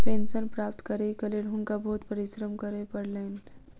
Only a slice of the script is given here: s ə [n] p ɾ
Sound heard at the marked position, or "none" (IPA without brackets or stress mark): n